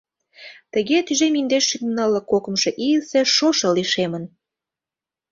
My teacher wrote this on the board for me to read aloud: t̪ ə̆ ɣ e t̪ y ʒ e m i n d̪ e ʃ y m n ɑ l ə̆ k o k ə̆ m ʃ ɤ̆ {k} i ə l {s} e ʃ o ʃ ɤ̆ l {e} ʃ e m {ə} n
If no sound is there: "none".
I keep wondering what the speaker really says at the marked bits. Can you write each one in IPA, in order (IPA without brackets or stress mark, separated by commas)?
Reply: ʔ, s, i, ə